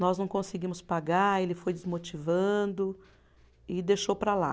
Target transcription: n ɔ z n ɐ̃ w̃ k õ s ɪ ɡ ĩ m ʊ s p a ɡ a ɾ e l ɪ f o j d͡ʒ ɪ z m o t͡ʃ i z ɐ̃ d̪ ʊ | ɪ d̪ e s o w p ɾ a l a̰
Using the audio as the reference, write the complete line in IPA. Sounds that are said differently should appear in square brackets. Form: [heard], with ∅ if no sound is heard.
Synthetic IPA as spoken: n ɔ z n ɐ̃ w̃ k õ s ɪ ɡ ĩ m ʊ s p a ɡ a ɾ e l ɪ f o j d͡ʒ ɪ z m o t͡ʃ i [v] ɐ̃ d̪ ʊ | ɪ d̪ e [ʃ] o w p ɾ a l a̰